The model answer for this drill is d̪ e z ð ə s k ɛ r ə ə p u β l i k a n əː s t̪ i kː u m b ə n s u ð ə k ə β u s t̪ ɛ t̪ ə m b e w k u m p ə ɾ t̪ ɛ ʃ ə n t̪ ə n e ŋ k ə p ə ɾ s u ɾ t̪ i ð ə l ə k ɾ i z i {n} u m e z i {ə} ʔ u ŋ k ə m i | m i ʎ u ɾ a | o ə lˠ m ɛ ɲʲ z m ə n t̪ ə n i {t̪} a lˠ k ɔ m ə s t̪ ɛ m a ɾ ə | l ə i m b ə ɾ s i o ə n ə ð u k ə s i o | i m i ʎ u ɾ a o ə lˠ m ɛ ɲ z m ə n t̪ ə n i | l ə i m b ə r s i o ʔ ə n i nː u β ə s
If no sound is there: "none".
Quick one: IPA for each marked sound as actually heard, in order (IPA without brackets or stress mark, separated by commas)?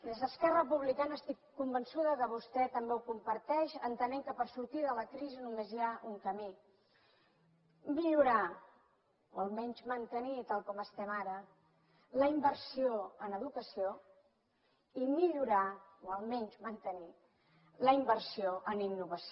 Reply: n, a, t̪